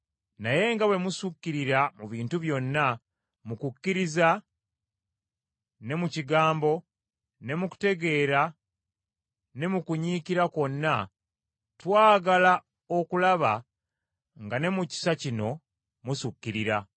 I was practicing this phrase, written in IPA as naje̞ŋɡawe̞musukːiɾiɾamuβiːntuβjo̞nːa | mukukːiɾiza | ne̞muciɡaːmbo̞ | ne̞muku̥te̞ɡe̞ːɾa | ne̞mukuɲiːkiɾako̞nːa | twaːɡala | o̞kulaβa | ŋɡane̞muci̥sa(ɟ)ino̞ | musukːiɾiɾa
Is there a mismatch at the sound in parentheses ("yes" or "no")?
yes